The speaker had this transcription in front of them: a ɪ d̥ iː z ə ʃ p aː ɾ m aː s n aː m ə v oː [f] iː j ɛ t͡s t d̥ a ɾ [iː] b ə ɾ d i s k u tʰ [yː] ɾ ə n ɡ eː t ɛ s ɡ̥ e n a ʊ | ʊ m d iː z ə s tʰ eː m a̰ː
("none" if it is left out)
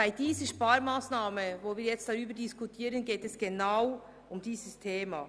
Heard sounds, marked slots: v, yː, iː

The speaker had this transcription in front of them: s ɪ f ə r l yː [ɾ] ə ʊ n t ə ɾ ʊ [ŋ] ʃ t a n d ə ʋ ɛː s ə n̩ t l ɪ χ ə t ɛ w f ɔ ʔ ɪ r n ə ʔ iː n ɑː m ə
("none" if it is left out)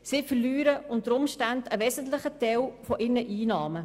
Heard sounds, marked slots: ɾ, m

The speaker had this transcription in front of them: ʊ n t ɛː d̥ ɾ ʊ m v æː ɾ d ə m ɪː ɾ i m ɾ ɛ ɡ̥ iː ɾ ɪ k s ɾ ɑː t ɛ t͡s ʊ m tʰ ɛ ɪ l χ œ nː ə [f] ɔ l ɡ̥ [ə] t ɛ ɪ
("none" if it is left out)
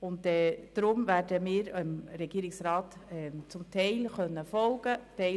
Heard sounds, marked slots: f, ə

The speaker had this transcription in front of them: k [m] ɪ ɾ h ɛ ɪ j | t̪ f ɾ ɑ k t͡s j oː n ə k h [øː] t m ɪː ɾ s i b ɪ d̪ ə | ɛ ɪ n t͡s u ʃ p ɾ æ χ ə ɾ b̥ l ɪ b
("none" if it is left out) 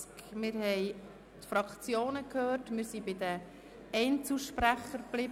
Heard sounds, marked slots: m, øː

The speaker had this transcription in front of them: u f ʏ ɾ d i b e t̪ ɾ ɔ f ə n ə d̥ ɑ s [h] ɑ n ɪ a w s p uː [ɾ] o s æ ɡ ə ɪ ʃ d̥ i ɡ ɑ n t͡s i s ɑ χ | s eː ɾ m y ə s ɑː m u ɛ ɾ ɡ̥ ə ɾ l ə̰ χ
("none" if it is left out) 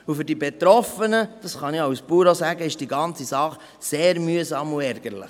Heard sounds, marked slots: χ, ɾ

